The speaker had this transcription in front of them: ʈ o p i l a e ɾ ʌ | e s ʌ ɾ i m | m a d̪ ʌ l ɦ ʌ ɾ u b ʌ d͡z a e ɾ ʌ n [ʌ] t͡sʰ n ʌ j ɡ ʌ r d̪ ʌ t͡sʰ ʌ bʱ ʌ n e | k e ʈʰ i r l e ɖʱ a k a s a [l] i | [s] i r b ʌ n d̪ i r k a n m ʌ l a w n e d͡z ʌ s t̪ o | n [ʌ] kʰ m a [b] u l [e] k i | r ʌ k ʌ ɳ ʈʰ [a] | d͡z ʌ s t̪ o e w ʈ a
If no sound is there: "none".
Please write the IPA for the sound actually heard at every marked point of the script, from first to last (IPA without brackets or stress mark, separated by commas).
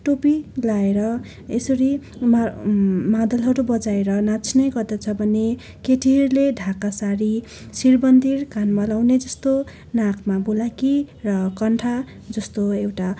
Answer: a, ɾ, s, a, b, a, a